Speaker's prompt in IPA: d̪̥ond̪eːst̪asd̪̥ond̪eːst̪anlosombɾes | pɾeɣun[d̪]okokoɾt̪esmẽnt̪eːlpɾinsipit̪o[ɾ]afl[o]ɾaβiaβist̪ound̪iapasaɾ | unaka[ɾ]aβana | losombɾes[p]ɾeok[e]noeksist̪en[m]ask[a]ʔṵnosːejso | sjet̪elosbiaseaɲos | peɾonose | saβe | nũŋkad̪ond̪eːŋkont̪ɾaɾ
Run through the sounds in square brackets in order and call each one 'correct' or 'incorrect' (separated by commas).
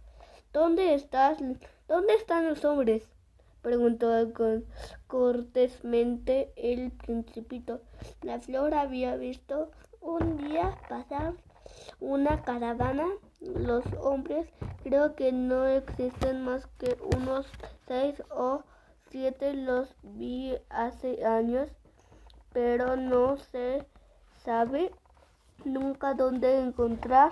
incorrect, incorrect, correct, correct, incorrect, correct, correct, incorrect